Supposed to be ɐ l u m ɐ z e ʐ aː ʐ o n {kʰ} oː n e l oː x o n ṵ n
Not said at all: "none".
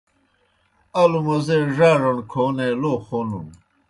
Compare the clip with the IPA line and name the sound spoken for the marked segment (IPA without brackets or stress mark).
kʰ